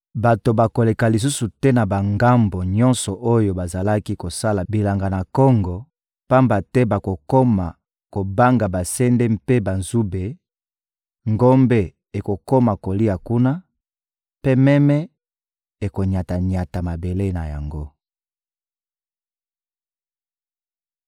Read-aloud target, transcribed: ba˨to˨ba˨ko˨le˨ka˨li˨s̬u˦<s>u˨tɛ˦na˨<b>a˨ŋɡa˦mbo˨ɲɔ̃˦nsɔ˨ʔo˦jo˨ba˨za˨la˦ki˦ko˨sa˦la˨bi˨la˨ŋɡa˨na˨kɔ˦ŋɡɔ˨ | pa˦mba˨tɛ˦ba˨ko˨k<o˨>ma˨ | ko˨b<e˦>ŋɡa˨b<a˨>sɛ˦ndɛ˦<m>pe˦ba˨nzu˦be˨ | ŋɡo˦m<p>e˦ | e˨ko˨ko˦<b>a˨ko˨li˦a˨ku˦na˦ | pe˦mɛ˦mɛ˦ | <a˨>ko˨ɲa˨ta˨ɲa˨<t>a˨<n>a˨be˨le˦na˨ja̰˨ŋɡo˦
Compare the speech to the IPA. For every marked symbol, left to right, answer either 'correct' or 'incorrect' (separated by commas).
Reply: correct, correct, incorrect, incorrect, correct, correct, incorrect, incorrect, incorrect, correct, incorrect